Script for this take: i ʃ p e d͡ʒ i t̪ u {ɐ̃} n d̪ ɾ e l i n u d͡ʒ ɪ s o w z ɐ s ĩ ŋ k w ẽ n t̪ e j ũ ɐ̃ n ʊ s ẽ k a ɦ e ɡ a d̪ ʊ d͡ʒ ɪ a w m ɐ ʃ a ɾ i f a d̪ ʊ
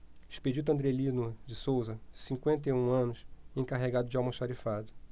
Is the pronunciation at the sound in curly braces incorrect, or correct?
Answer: correct